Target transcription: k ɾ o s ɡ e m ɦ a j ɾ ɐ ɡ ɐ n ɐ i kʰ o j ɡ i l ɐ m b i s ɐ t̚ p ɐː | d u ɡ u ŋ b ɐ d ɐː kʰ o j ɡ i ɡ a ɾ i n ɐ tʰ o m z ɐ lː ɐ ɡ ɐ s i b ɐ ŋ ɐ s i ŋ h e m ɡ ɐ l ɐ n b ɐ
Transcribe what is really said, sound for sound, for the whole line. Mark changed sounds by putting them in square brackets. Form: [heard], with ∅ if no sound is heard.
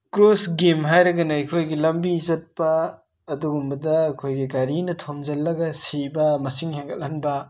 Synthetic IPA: k ɾ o s ɡ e m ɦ a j ɾ ɐ ɡ ɐ n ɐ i kʰ o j ɡ i l ɐ m b i [z] ɐ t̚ p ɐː | d u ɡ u [m] b ɐ d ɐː kʰ o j ɡ i ɡ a ɾ i n ɐ tʰ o m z ɐ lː ɐ ɡ ɐ s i b ɐ [m] ɐ s i ŋ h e [ŋ] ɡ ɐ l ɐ n b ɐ